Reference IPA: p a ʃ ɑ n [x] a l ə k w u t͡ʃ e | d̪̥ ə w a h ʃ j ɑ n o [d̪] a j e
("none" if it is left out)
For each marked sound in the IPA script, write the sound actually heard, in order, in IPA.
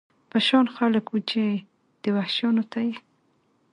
x, t̪

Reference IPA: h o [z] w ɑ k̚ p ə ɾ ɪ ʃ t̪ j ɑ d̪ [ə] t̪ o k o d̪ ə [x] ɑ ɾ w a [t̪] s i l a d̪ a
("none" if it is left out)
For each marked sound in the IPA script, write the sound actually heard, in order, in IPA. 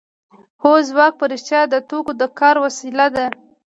z, ə, k, none

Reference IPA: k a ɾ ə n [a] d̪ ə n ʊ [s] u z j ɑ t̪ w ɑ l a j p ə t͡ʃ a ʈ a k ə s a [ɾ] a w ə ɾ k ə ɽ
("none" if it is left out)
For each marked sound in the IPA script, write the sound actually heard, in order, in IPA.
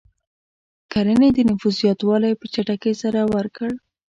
e, f, ɾ

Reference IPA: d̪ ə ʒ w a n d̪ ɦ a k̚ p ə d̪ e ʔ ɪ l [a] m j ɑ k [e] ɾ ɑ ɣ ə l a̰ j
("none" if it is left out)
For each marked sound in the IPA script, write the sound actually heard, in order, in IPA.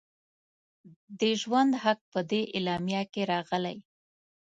ɑ, e

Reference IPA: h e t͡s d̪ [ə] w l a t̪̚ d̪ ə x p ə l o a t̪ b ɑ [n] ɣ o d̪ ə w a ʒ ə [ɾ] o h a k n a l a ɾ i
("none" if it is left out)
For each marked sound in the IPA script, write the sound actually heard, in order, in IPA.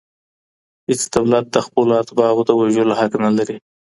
a, none, l

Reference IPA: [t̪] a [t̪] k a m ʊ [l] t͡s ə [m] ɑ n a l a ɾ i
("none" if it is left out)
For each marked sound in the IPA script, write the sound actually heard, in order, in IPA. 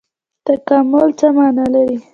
t̪, none, l, m

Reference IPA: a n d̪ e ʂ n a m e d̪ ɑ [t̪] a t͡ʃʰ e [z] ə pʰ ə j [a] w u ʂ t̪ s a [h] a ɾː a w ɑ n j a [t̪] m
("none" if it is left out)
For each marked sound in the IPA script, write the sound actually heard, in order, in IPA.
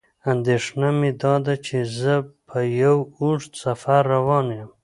d̪, z, a, f, none

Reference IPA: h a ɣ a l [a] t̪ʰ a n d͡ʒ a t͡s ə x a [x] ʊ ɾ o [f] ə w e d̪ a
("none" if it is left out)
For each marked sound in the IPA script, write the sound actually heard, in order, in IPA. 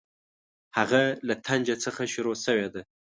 a, ʃ, s

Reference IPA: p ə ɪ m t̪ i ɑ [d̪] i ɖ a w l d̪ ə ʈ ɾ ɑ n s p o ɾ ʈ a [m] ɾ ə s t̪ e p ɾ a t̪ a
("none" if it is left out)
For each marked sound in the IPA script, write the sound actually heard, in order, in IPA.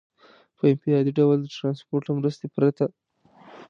d̪, m

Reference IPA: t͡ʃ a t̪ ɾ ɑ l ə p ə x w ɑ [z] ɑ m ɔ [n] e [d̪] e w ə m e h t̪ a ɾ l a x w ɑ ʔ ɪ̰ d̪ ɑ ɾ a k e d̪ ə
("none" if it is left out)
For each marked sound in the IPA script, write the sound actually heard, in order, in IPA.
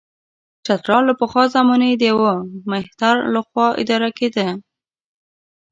z, n, d̪

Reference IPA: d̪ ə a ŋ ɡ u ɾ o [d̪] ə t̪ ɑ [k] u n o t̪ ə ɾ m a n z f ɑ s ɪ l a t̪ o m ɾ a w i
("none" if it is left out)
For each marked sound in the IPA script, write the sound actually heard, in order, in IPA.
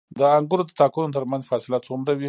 d̪, k

